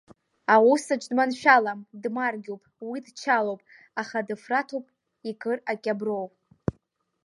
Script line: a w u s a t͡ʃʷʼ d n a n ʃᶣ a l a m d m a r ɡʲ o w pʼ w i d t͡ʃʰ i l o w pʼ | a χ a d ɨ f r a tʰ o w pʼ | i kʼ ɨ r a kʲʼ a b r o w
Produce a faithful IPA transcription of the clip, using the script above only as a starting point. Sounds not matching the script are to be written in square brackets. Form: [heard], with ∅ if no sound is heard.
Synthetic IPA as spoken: a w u s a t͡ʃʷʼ d [m] a n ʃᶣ a l a m d m a r ɡʲ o w pʼ w i d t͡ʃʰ [a] l o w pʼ | a χ a d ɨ f r a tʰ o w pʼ | i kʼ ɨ r a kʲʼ a b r o w